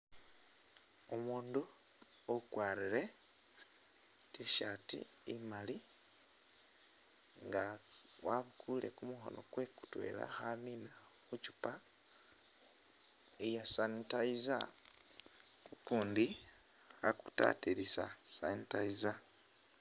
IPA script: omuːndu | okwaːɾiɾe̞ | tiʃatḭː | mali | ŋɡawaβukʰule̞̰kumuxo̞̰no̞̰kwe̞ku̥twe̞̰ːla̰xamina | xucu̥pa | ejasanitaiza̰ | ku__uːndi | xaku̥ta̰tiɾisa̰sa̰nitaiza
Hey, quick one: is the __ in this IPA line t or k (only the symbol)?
k